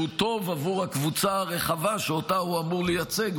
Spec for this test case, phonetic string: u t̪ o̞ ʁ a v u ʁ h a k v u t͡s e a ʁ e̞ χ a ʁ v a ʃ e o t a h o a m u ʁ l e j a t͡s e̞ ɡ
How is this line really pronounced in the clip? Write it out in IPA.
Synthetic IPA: u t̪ o̞ v a v u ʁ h a k v u t͡s a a ʁ e̞ χ a v a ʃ e o t a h u a m u ʁ l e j a t͡s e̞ ɡ